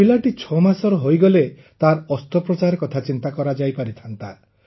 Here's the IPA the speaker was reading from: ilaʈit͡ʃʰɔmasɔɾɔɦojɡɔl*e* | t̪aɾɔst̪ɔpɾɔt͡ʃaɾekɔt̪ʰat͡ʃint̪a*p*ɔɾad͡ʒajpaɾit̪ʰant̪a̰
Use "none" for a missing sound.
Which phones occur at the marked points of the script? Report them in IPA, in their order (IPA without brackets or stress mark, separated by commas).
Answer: e, k